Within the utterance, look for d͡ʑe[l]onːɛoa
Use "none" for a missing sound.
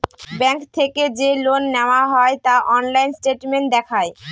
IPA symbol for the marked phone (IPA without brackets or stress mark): l